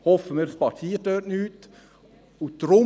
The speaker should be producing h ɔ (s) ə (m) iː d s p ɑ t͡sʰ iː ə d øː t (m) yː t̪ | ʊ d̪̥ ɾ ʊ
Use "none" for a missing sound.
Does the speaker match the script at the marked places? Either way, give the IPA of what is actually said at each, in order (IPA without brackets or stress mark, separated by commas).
f, m, n